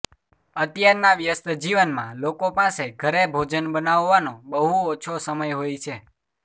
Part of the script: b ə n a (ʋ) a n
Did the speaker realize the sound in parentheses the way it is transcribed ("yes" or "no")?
no